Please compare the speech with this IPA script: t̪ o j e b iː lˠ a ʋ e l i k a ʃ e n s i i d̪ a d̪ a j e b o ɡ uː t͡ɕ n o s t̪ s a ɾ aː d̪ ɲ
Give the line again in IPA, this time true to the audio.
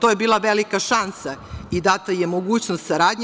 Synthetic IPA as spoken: t̪ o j e b iː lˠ a ʋ e l i k a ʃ a n s a i d̪ a t̪ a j e m o ɡ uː t͡ɕ n o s t̪ s a ɾ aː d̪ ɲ